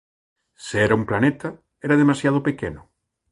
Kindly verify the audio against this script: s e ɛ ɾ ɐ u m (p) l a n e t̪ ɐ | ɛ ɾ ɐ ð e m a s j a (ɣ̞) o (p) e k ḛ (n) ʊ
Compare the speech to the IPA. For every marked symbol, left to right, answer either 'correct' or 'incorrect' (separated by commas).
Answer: correct, incorrect, correct, correct